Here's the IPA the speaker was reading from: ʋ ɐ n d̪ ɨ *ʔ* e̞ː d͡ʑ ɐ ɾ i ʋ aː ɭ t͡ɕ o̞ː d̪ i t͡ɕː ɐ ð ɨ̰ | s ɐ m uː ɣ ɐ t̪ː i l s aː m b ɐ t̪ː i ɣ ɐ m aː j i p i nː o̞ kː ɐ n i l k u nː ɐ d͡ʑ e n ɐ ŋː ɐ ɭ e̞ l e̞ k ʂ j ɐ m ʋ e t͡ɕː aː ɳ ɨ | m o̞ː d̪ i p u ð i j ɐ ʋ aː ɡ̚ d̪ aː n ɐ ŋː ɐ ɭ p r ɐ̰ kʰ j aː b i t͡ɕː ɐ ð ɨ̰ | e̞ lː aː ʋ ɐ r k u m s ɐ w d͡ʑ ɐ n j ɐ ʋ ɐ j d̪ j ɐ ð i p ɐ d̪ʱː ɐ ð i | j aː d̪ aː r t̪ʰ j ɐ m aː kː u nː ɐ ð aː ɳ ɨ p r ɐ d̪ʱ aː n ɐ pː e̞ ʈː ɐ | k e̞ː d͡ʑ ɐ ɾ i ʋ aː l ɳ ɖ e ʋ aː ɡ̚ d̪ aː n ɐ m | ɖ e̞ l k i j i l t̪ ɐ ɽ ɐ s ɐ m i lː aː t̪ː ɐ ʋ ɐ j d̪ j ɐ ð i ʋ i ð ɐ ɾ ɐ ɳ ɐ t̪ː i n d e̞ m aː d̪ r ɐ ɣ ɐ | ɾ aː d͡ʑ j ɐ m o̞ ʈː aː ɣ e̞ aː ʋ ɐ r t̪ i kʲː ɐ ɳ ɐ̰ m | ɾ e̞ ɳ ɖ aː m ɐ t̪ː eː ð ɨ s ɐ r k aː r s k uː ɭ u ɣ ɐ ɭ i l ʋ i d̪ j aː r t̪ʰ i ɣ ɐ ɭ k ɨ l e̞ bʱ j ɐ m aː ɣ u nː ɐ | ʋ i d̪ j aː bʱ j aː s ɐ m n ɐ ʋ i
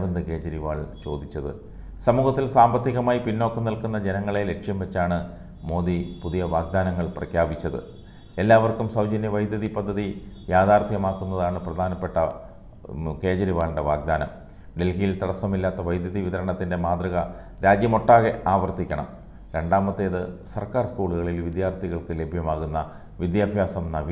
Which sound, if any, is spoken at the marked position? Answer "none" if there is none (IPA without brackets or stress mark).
k